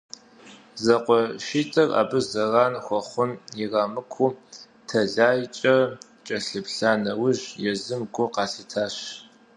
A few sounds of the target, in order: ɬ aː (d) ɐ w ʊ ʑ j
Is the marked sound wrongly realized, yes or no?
yes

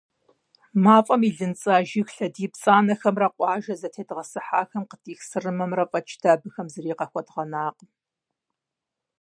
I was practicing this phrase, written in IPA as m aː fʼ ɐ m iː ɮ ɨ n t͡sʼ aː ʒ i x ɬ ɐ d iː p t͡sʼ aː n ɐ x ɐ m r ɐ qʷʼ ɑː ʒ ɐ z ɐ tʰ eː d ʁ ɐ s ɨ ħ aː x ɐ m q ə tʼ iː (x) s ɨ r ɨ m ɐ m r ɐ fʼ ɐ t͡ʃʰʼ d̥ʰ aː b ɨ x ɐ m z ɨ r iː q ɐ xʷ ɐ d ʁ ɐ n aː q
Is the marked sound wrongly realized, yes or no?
no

